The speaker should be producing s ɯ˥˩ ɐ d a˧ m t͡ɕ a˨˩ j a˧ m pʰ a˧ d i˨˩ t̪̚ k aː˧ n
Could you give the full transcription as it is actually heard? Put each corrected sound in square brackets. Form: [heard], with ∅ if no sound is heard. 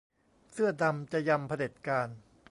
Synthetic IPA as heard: s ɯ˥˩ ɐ d a˧ m t͡ɕ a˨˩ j a˧ m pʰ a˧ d [e˨˩] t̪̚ k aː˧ n